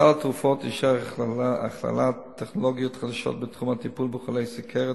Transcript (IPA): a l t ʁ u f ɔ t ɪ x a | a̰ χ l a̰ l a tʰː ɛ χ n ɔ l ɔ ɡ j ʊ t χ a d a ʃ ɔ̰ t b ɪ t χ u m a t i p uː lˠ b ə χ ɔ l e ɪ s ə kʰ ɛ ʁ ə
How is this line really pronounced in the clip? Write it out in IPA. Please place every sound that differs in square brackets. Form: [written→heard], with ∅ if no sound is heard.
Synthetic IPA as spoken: a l t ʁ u f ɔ t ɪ [x→ʃ] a | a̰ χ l a̰ l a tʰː ɛ χ n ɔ l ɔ ɡ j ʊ t χ a d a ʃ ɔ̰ t b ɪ t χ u m a t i p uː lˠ b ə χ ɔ l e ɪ s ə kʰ ɛ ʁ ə